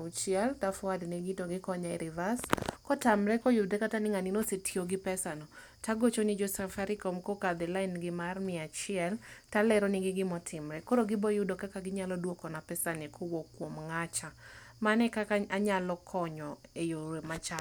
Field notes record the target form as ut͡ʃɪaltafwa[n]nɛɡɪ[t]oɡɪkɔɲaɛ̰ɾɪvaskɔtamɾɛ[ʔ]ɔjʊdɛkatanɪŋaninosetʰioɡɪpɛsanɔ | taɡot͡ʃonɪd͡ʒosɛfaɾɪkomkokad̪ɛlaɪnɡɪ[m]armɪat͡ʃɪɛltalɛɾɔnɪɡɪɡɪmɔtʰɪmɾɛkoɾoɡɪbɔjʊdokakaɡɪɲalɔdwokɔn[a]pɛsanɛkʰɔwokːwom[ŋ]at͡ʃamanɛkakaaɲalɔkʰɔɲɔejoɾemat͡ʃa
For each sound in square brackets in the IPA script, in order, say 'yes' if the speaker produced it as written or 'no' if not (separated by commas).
no, yes, no, yes, yes, yes